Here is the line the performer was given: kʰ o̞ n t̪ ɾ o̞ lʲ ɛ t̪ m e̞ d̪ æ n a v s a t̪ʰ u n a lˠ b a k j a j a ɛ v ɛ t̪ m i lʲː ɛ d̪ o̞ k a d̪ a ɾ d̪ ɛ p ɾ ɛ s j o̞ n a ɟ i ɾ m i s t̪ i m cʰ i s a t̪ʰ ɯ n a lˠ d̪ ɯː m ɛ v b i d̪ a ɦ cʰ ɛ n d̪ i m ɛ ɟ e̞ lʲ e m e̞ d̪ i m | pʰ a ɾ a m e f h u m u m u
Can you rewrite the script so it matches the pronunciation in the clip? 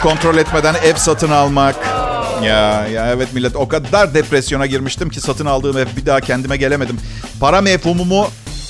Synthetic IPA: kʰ o̞ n t̪ ɾ o̞ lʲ ɛ t̪ m e̞ d̪ æ n ɛ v s a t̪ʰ ɯ n a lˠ m a k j a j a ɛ v ɛ t̪ m i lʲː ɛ t̪ o̞ k a d̪ a ɾ d̪ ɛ p ɾ ɛ s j o̞ n a ɟ i ɾ m i ʃ t̪ i m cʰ i s a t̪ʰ ɯ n a lˠ d̪ ɯː m ɛ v b i d̪ a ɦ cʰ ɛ n d̪ i m ɛ ɟ e̞ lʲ e m e̞ d̪ i m | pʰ a ɾ a m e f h u m u m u